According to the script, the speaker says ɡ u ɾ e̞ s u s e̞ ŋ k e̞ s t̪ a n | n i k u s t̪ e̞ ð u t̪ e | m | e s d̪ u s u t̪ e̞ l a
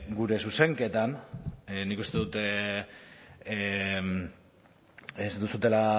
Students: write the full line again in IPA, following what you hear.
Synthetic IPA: ɡ u ɾ e̞ s u s e̞ ŋ k e̞ t̪ a n | n i k u s t̪ e̞ ð u t̪ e | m | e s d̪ u s u t̪ e̞ l a